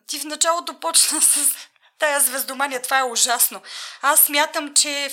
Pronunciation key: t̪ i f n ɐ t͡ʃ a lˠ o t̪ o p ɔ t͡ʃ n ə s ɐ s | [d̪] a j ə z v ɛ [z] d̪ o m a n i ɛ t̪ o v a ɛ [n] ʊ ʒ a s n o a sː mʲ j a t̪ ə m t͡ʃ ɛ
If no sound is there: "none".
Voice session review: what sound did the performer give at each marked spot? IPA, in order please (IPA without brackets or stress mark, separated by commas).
t̪, z, none